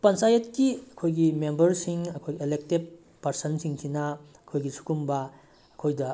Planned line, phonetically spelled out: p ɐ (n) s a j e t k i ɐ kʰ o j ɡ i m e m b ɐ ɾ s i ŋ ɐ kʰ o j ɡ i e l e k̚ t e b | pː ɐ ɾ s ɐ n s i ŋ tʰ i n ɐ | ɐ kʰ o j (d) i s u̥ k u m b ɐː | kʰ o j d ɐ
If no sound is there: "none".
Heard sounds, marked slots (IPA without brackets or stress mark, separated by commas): n, ɡ